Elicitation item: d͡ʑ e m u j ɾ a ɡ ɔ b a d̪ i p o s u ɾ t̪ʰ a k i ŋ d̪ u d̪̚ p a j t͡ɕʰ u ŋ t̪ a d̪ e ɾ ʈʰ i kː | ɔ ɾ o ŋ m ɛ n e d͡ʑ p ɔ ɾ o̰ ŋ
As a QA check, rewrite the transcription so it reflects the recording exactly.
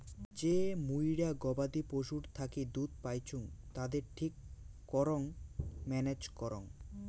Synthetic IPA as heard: d͡ʑ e m u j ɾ a ɡ ɔ b a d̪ i p o ʃ u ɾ t̪ʰ a k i d̪ u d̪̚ p a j t͡ɕʰ u ŋ t̪ a d̪ e ɾ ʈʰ i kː | ɔ ɾ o ŋ m ɛ n e d͡ʑ k ɔ ɾ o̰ ŋ